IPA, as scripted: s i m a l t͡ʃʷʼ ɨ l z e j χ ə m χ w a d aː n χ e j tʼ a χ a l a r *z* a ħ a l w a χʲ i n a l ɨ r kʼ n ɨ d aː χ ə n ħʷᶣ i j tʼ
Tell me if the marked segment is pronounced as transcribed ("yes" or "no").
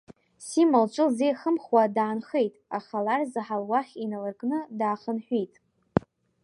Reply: yes